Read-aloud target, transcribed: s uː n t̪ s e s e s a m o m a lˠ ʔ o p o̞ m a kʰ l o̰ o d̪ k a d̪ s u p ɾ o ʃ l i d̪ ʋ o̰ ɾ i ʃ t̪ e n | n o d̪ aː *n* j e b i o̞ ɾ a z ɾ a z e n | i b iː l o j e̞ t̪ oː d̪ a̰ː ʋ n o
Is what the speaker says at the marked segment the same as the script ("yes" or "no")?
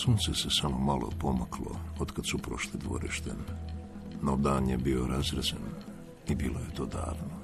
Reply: yes